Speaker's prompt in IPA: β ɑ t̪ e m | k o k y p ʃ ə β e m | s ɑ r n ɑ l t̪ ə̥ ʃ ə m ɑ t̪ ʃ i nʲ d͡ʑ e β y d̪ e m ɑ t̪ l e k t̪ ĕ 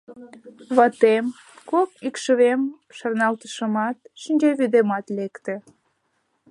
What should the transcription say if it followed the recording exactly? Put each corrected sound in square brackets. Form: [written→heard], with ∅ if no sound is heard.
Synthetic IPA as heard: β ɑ t̪ e m | k o k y [p→k] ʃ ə β e m | [s→ʃ] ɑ r n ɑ l t̪ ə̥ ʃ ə m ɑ t̪ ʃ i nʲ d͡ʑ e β y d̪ e m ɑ t̪ l e k t̪ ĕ